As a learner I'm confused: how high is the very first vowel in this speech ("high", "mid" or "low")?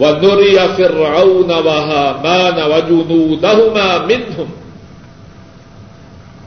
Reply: low